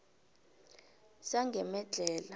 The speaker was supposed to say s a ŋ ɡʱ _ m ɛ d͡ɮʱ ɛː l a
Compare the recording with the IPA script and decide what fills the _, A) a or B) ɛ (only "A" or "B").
B